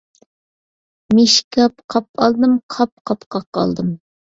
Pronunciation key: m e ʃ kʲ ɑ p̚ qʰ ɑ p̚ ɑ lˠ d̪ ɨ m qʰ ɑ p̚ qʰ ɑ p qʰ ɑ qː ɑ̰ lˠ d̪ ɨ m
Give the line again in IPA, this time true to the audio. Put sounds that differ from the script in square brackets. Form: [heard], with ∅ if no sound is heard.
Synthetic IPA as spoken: m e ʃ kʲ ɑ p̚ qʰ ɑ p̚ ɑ lˠ d̪ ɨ m qʰ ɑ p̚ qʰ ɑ p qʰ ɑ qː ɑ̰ lˠ d̪ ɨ m